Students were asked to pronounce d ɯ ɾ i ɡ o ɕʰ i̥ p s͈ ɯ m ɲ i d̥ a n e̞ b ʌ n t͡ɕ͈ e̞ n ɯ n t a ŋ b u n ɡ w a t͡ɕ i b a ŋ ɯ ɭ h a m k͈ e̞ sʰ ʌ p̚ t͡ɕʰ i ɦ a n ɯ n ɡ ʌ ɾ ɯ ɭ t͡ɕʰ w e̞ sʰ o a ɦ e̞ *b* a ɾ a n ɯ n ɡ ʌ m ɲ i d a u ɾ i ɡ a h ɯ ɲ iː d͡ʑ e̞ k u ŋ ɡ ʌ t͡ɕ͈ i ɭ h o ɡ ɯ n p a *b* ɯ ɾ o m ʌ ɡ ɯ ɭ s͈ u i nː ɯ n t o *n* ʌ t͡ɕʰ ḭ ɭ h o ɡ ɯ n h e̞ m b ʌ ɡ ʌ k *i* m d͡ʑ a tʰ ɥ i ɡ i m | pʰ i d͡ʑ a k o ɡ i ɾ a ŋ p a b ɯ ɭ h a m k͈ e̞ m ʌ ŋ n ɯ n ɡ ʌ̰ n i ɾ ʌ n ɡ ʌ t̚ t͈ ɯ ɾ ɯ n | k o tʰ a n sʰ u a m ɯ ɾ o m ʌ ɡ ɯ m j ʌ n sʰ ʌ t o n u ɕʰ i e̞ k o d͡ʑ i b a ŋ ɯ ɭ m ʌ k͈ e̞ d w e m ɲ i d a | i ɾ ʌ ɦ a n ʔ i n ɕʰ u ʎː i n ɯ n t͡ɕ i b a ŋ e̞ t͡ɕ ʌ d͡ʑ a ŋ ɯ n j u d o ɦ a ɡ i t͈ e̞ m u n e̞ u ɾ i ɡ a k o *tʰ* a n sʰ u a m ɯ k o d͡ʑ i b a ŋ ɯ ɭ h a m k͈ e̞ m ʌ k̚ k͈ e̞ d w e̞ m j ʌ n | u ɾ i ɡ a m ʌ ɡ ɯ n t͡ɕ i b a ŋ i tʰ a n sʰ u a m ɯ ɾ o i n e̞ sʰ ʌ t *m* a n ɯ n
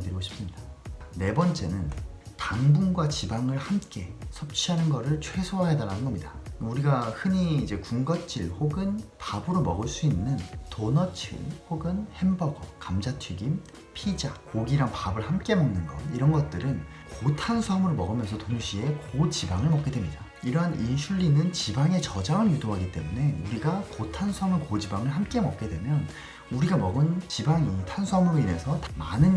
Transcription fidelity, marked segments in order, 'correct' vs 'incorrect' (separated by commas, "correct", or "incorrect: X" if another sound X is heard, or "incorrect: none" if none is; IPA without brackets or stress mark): incorrect: d, correct, correct, incorrect: a, correct, correct